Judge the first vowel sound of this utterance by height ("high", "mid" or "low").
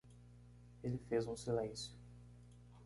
mid